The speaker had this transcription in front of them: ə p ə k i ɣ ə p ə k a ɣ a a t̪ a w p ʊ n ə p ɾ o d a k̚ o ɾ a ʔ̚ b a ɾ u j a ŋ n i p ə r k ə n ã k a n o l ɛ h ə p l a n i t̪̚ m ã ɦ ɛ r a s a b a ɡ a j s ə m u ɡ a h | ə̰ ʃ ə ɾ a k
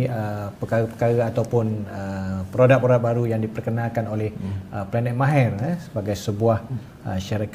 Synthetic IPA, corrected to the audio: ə p ə k a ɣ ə p ə k a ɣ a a t̪ a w p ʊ n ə p ɾ o d a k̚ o ɾ a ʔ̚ b a ɾ u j a ŋ d i p ə r k ə n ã k a n o l ɛ h ə p l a n ɛ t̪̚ m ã ɦ ɛ r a s ə b a ɡ a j s ə b u a h | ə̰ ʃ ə ɾ a k